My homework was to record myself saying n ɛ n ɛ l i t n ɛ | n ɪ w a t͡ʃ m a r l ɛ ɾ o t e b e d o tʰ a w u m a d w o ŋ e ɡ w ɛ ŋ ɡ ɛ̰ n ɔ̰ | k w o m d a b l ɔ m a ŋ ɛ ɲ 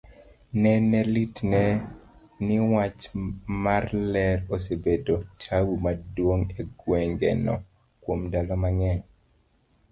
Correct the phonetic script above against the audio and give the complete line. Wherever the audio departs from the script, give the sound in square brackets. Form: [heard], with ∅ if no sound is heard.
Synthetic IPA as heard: n ɛ n ɛ l i t n ɛ | n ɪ w a t͡ʃ m a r l ɛ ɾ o [s] e b e d o tʰ a w u m a d w o ŋ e ɡ w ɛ ŋ ɡ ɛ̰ n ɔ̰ | k w o m d a [∅] l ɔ m a ŋ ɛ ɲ